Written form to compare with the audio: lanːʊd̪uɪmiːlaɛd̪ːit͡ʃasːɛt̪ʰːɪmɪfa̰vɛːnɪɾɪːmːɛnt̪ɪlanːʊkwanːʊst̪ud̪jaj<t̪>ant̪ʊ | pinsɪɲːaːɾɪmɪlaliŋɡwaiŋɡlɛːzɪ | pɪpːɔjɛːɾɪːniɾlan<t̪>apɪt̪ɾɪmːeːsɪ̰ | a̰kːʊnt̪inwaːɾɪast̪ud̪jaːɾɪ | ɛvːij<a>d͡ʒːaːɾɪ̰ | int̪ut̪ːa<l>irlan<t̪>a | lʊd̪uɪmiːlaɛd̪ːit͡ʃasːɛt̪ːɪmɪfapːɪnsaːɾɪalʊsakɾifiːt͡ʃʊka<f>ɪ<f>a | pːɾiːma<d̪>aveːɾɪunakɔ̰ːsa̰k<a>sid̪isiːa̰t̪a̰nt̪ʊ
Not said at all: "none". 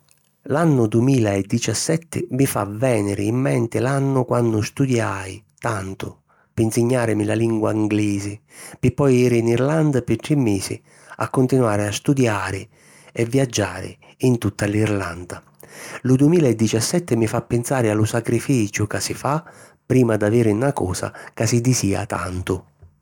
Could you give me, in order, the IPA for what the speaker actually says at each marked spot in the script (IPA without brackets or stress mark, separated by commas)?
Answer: t̪, d̪, a, l, d̪, s, f, d̪, a